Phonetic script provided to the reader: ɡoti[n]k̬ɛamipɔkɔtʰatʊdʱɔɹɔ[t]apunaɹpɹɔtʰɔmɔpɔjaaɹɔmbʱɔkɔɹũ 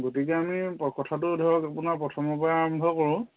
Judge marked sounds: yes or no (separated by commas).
no, no